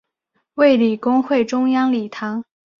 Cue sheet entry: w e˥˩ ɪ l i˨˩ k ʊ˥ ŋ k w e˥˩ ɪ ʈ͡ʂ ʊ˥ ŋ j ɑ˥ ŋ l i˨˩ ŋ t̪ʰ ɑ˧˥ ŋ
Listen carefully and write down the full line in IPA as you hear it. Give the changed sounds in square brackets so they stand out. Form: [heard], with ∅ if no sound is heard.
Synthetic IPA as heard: w e˥˩ ɪ l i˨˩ k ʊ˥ ŋ [x] w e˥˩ ɪ ʈ͡ʂ ʊ˥ ŋ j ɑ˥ ŋ l i˨˩ [∅] t̪ʰ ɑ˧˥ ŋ